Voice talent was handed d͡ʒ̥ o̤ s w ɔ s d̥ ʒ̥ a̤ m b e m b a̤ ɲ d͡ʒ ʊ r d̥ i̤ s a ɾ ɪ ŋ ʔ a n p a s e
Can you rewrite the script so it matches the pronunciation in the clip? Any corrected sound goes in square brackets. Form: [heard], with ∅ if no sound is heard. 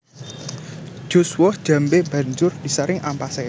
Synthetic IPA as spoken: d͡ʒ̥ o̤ s w ɔ [h] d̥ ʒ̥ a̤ m b e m b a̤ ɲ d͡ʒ ʊ r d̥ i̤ s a ɾ ɪ ŋ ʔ a [m] p a s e